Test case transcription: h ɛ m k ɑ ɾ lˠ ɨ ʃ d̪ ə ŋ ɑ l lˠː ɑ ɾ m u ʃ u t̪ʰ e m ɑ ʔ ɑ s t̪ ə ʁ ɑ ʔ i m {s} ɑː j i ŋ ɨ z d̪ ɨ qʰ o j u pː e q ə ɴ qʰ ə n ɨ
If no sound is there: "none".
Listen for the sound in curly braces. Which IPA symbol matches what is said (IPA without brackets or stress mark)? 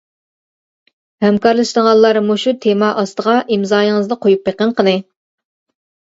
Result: z